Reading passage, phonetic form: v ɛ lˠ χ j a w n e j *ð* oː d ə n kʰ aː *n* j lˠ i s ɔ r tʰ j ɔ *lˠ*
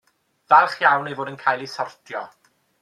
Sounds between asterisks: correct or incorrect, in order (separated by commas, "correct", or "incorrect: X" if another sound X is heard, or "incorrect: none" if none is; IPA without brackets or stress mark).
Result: incorrect: v, incorrect: none, incorrect: none